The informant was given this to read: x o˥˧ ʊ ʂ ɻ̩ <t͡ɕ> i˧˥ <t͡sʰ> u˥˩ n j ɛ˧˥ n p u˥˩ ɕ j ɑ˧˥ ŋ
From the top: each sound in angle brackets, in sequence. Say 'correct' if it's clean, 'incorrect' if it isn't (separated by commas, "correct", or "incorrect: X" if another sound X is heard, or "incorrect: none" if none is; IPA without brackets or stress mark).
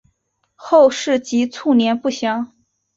correct, correct